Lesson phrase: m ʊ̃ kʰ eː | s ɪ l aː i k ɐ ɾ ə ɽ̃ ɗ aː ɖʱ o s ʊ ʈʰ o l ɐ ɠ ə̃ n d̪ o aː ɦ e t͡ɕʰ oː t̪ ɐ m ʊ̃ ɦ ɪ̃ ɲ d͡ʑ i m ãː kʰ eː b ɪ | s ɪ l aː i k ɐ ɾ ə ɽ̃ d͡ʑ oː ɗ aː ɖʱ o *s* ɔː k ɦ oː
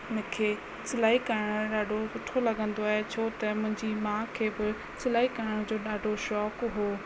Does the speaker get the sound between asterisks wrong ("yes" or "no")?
yes